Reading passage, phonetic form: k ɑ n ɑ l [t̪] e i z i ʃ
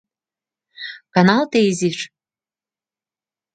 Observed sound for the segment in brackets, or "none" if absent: t̪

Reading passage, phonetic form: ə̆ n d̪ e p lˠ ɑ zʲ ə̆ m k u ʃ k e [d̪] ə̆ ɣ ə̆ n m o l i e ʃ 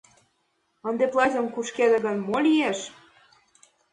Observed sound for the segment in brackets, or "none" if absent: d̪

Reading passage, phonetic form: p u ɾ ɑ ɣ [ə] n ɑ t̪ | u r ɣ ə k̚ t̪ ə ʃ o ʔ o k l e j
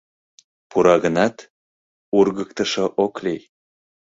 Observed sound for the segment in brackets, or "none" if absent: ə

